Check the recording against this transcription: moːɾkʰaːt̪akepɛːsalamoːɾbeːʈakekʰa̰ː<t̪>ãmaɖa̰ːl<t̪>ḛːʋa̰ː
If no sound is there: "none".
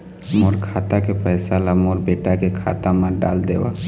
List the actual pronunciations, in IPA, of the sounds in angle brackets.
t̪, d̪

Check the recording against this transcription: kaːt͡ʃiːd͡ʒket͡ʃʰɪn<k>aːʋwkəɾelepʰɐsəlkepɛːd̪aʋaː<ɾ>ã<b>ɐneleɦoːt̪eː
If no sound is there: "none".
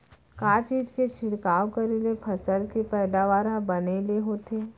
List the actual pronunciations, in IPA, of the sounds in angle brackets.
k, ɾ, b

